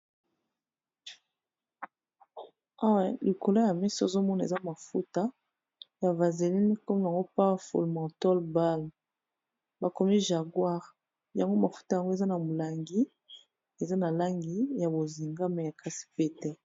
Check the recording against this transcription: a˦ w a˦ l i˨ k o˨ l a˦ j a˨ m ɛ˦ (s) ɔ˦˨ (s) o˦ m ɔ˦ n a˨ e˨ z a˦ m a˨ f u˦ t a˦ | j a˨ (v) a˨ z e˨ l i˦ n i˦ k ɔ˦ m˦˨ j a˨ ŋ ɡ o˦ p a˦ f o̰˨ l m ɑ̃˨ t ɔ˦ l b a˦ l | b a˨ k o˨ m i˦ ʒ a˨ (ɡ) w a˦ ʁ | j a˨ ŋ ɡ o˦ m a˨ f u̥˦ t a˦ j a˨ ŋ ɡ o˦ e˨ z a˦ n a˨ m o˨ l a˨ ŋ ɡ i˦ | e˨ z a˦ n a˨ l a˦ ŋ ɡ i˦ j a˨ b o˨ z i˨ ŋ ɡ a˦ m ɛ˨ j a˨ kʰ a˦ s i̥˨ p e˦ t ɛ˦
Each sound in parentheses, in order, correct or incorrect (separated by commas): correct, incorrect, correct, correct